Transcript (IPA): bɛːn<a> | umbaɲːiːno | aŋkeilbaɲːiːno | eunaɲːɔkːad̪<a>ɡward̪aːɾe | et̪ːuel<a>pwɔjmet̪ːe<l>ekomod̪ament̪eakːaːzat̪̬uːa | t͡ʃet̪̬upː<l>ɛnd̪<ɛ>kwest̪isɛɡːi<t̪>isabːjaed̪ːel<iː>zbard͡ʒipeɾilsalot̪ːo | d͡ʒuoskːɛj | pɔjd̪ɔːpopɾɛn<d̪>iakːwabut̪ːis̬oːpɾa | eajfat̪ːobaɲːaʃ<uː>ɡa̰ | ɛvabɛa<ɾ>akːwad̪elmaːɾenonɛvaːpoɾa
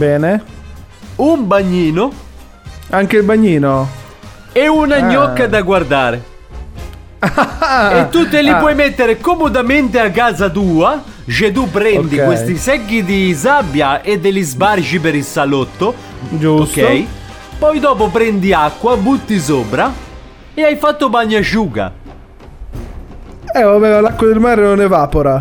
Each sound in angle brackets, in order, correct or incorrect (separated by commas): incorrect, correct, incorrect, incorrect, incorrect, incorrect, incorrect, incorrect, correct, correct, incorrect